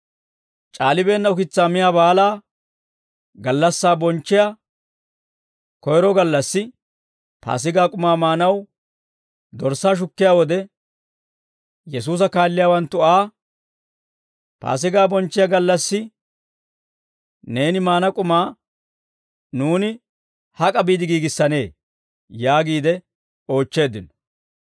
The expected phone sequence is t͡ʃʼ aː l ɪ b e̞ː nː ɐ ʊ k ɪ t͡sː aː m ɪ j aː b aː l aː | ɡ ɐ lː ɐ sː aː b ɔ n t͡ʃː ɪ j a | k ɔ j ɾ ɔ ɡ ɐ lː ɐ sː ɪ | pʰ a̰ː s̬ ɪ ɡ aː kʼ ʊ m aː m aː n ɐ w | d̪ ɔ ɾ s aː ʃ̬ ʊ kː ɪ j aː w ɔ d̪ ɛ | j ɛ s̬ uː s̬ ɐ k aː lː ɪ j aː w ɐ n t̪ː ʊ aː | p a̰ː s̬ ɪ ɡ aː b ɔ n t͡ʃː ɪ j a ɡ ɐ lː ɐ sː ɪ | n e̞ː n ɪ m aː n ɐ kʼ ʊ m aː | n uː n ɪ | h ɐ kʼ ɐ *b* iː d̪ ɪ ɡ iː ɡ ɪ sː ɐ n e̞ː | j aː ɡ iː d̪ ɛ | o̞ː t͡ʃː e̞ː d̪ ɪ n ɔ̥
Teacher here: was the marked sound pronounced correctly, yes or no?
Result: yes